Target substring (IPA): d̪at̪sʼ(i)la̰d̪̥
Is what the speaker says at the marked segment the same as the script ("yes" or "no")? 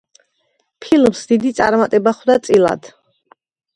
yes